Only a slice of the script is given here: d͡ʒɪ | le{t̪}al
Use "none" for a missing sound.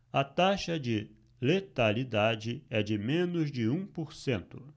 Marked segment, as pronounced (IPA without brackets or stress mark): t̪